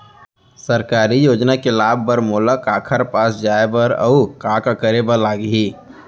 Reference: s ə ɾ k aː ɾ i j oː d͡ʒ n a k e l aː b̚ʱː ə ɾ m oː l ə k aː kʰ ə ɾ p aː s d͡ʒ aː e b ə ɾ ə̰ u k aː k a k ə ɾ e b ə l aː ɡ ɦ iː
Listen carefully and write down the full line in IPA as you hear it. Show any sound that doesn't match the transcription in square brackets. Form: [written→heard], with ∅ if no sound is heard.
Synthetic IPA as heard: s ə ɾ k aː ɾ i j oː d͡ʒ n a k e l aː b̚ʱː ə ɾ m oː l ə k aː kʰ ə ɾ p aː s d͡ʒ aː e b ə ɾ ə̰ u k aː k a k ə ɾ e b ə l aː ɡ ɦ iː